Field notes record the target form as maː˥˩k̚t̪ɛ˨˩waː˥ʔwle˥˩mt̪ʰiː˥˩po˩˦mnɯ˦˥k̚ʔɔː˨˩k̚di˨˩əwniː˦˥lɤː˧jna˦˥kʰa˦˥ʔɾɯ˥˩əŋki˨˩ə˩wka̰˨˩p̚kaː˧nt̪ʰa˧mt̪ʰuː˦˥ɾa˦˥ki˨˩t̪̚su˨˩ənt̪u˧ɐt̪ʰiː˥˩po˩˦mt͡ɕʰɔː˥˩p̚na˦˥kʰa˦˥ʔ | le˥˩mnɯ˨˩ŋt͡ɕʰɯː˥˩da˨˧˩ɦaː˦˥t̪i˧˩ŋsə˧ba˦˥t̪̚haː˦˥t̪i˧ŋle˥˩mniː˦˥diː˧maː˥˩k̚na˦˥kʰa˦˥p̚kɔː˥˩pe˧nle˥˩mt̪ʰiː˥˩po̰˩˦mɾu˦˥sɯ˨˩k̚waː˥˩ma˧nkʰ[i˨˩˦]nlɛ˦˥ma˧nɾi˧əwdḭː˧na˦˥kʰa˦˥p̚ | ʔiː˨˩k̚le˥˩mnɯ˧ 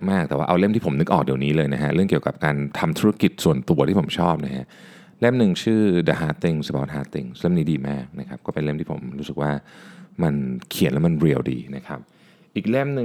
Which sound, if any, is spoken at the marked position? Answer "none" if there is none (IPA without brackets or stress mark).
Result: i˨˩˦